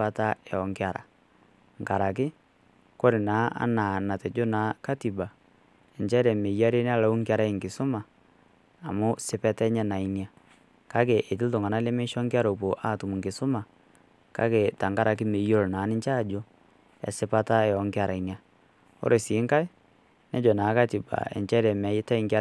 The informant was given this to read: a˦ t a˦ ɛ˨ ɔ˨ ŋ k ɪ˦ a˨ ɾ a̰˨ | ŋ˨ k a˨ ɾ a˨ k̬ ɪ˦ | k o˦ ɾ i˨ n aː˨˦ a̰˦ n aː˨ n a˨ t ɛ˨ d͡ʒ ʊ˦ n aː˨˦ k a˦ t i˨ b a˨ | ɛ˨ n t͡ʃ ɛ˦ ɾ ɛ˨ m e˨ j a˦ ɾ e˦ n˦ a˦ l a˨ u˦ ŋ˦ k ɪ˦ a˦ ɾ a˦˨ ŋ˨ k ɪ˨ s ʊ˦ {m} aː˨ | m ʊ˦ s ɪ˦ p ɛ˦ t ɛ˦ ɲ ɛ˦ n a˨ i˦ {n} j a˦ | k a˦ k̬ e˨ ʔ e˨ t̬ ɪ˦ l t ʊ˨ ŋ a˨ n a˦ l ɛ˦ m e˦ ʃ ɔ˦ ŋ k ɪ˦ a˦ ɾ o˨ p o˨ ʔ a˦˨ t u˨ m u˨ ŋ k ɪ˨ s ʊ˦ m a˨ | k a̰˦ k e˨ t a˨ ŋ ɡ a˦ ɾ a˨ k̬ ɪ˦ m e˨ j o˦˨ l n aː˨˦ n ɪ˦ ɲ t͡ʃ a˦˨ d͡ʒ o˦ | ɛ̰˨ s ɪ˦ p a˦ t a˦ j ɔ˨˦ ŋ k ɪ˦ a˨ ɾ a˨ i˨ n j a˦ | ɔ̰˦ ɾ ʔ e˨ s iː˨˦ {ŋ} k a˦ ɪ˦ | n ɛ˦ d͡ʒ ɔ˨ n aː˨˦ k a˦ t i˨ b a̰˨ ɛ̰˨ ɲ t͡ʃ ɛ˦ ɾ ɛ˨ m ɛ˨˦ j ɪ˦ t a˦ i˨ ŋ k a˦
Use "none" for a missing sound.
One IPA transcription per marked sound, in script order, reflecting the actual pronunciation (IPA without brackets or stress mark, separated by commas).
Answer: m, n, ŋ